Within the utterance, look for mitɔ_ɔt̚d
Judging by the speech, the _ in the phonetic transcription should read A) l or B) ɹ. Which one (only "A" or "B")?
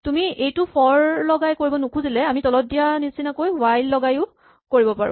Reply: A